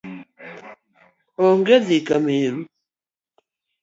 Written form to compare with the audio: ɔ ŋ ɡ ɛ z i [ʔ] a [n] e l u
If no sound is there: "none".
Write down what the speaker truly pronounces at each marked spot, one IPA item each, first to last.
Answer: k, m

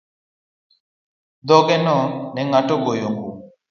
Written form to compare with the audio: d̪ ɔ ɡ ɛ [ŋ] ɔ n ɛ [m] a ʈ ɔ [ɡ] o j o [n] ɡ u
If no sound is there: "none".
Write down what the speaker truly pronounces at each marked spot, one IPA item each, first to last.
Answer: n, ŋ, ɡ, ŋ

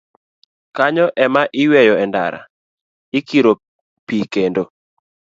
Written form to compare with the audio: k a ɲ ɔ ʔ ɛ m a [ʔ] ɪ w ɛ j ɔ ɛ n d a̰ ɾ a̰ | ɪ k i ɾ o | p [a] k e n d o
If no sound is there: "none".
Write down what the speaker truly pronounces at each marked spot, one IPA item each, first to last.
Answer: ʔ, i

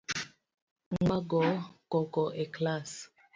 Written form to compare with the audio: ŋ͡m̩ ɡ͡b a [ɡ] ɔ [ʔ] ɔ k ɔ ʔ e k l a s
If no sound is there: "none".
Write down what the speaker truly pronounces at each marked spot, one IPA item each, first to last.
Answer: ɡ, k

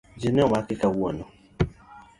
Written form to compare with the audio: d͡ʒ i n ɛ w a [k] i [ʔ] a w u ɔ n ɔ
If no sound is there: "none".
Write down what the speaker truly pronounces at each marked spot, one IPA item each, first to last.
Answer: k, k

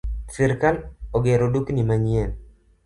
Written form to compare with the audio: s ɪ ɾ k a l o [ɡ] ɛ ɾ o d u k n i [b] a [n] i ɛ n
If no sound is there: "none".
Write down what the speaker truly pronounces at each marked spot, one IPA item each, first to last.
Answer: ɡ, m, ɲ

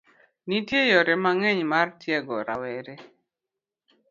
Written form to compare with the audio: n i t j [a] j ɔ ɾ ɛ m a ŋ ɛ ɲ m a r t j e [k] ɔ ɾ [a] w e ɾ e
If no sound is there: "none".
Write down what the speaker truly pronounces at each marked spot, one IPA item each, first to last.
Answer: e, ɡ, a

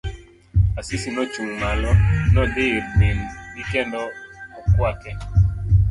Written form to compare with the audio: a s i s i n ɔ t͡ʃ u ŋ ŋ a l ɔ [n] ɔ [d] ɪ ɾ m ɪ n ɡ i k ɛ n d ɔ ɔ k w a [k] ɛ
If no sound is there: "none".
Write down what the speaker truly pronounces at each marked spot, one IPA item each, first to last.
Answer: n, d, k

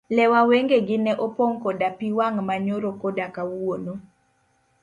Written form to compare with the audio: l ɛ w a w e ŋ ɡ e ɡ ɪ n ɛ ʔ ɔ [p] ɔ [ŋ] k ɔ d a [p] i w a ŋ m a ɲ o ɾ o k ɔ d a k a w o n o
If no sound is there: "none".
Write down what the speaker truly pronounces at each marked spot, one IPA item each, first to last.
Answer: p, ŋ, p

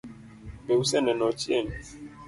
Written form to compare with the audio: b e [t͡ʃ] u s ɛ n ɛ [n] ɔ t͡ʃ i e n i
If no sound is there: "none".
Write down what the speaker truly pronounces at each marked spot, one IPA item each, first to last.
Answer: none, n

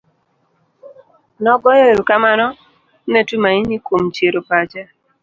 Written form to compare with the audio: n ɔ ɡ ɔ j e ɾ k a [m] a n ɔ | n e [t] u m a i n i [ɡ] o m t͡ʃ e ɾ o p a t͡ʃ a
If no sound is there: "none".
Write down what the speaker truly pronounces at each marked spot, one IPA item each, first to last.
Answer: m, t, k

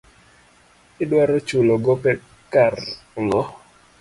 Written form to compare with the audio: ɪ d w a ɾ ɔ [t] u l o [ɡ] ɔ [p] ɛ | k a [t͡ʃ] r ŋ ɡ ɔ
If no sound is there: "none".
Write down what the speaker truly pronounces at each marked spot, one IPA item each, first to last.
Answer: t͡ʃ, ɡ, p, none

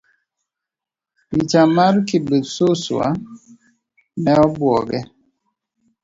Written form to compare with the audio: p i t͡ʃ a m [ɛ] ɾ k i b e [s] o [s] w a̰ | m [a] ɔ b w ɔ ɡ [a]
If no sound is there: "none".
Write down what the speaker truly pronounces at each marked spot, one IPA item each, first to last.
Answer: a, s, s, ɛ, ɛ

